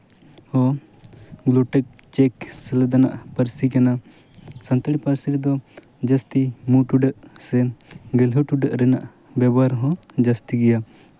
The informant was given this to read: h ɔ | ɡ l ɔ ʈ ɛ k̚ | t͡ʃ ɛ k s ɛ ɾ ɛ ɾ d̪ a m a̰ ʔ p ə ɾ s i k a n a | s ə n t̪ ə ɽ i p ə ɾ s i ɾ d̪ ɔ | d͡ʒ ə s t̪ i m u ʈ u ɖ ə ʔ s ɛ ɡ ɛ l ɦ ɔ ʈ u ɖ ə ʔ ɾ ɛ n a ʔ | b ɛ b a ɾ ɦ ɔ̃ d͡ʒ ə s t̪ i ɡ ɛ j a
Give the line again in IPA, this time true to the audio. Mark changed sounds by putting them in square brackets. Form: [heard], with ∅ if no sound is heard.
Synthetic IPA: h ɔ | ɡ l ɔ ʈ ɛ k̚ | t͡ʃ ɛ k s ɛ [l] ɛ [∅] d̪ a [n] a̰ ʔ p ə ɾ s i k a n a | s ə n t̪ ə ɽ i p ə ɾ s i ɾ d̪ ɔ | d͡ʒ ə s t̪ i m u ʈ u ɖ ə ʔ s ɛ ɡ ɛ l ɦ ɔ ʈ u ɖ ə ʔ ɾ ɛ n a ʔ | b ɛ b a ɾ ɦ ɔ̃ d͡ʒ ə s t̪ i ɡ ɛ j a